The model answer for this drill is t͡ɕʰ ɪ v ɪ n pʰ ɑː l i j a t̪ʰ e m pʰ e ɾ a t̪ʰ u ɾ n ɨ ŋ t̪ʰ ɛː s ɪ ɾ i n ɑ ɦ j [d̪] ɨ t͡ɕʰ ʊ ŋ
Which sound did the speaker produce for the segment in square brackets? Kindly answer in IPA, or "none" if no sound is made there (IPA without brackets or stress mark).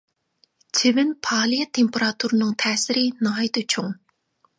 t̪